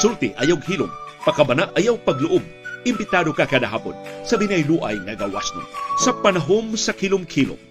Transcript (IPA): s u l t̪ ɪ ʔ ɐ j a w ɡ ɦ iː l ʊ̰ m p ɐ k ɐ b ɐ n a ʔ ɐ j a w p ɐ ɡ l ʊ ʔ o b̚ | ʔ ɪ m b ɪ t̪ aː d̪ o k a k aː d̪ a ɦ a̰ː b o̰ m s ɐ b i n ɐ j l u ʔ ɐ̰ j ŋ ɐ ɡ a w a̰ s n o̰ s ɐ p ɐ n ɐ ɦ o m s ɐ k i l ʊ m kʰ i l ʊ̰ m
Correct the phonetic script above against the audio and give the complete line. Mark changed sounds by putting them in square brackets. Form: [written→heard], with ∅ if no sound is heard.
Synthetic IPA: s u l t̪ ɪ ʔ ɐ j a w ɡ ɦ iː l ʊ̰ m p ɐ k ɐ b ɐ n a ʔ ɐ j a w p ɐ ɡ l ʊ ʔ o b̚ | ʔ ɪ m b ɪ t̪ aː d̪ o k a k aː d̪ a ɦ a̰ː [b→p] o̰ [m→n] s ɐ b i n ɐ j l u ʔ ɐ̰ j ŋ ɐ ɡ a w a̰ s n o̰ s ɐ p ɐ n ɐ ɦ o m s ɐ k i l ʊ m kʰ i l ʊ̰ m